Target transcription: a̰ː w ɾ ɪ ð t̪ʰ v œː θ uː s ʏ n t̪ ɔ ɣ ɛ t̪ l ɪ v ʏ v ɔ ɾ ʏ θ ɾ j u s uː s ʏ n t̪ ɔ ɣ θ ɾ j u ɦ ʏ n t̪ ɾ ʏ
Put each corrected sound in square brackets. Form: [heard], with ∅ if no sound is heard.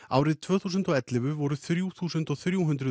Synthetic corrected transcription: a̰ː w ɾ ɪ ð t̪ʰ v œː θ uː s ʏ n t̪ ɔ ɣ ɛ t̪ l ɪ v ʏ v ɔ ɾ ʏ θ ɾ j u [θ] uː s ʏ n t̪ ɔ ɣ θ ɾ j u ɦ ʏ n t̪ ɾ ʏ